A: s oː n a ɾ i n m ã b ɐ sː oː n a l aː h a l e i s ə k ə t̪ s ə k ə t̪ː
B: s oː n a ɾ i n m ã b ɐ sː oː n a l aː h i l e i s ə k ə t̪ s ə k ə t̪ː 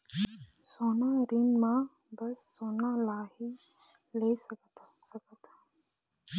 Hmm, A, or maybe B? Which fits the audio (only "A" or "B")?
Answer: B